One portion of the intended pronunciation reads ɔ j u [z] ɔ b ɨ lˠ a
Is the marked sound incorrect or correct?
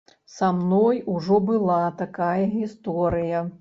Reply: incorrect